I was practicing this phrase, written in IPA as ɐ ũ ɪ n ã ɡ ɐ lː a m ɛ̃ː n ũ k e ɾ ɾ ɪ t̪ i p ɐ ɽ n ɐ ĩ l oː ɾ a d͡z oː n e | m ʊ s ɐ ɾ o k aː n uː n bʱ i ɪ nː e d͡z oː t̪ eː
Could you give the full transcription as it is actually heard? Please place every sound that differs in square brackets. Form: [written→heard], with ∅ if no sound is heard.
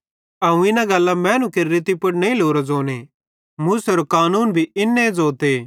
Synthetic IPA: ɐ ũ ɪ n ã ɡ ɐ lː a m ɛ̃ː n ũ k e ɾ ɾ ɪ t̪ i p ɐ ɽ n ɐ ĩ l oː ɾ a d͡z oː n e | m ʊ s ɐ ɾ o k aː n uː n bʱ i ɪ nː e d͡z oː t̪ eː